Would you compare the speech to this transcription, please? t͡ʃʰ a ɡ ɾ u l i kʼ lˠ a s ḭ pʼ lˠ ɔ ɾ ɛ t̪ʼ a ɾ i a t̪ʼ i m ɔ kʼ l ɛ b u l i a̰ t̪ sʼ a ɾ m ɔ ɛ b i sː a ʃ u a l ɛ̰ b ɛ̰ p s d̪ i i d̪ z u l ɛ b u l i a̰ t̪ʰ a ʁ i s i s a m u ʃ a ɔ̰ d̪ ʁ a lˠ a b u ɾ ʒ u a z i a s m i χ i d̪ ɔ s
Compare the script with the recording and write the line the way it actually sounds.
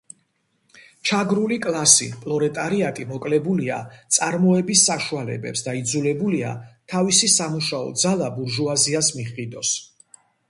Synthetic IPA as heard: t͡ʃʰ a ɡ ɾ u l i kʼ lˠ a s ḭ pʼ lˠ ɔ ɾ ɛ t̪ʼ a ɾ i a t̪ʼ i m ɔ kʼ l ɛ b u l i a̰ t̪ sʼ a ɾ m ɔ ɛ b i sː a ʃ u a l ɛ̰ b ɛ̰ p s d̪ a i d̪ z u l ɛ b u l i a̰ t̪ʰ a v i s i s a m u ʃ a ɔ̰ d̪ z a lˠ a b u ɾ ʒ u a z i a s m i χ i d̪ ɔ s

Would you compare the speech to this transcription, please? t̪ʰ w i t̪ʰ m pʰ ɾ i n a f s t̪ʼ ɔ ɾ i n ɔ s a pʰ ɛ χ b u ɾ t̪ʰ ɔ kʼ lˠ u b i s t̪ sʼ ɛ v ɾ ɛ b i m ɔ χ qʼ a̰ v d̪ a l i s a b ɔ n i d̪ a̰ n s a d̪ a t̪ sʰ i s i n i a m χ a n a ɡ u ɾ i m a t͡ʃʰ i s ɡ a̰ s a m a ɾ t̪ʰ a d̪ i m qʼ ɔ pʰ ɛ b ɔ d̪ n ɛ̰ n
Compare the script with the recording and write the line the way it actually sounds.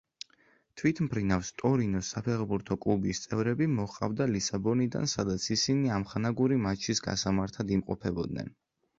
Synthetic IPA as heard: t̪ʰ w i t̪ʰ m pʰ ɾ i n a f s t̪ʼ ɔ ɾ i n ɔ s a pʰ ɛ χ b u ɾ t̪ʰ ɔ kʼ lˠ u b i s t̪ sʼ ɛ v ɾ ɛ b i m ɔ χ qʼ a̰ v d̪ a l i s a b ɔ n i d̪ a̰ n s a d̪ a t̪ sʰ i s i n i a m χ a n a ɡ u ɾ i m a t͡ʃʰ i s ɡ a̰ s a m a ɾ t̪ʰ a d̪ i m qʼ ɔ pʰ ɛ b ɔ d̪ n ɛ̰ n

